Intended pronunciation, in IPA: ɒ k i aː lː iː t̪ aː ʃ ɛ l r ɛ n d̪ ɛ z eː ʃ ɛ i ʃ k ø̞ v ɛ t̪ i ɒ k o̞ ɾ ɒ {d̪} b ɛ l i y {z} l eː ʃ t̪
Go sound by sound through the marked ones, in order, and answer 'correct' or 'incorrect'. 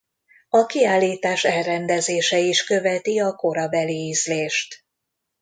incorrect: none, correct

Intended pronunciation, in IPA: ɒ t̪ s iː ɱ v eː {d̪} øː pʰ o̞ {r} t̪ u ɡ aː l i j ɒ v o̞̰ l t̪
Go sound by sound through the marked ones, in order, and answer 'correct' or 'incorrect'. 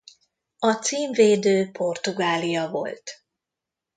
correct, correct

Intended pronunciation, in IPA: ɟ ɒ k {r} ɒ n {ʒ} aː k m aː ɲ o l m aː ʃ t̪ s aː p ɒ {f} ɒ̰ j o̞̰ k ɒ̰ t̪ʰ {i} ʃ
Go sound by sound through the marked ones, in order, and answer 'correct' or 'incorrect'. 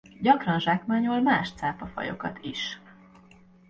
correct, correct, correct, correct

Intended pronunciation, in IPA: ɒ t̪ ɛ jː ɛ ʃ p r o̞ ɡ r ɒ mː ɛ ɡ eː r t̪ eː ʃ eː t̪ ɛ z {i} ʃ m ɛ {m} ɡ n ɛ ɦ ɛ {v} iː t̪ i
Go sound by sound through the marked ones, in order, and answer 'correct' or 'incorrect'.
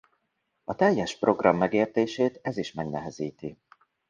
correct, incorrect: none, incorrect: z

